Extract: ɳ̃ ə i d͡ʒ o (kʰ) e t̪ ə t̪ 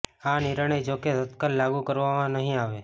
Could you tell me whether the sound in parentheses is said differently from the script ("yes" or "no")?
yes